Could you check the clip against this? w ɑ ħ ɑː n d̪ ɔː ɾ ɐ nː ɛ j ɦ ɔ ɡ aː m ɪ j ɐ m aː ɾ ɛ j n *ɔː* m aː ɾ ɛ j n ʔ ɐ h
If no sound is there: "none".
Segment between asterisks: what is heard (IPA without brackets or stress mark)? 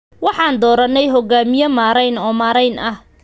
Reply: ɔː